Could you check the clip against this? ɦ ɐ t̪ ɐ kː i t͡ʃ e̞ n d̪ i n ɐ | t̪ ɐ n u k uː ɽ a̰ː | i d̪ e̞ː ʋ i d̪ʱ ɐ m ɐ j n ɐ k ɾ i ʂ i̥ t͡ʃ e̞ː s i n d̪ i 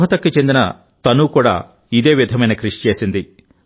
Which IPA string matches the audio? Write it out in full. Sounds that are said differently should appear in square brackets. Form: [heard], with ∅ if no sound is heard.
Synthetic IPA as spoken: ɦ ɐ t̪ ɐ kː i t͡ʃ e̞ n d̪ i n ɐ | t̪ ɐ n u k uː ɽ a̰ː | i d̪ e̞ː ʋ i d̪ʱ ɐ m ɐ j n ɐ k ɾ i ʂ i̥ t͡ʃ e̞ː s i n d̪ i